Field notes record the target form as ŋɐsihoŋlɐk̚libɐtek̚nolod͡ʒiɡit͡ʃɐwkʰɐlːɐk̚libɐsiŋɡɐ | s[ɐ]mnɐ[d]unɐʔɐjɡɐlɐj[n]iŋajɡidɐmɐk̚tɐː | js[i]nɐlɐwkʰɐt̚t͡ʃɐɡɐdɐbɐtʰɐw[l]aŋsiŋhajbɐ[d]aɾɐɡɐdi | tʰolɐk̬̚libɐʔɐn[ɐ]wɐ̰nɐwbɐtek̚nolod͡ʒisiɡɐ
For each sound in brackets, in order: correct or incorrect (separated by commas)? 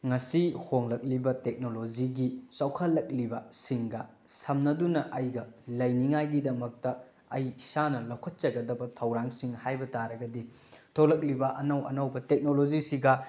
correct, correct, correct, incorrect, incorrect, incorrect, correct